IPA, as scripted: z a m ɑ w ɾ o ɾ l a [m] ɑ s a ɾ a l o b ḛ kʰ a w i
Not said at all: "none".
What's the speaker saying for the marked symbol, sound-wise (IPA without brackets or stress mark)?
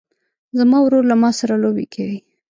m